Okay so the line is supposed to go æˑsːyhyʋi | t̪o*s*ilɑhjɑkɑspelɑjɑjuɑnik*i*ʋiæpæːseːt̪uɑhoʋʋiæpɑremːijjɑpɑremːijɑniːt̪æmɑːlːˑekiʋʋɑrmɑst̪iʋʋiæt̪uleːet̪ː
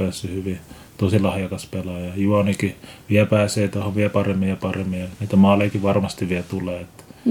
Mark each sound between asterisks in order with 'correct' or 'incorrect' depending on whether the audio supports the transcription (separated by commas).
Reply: correct, correct